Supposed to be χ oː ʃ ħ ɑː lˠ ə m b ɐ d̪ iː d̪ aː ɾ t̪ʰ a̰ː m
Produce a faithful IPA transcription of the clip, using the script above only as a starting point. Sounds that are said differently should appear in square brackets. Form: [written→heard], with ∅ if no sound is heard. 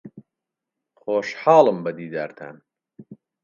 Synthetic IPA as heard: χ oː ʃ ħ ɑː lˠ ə m b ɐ d̪ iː d̪ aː ɾ t̪ʰ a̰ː [m→n]